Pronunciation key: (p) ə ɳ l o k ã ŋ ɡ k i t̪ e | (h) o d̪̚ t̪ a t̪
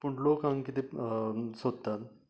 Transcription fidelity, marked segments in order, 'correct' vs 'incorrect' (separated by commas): correct, incorrect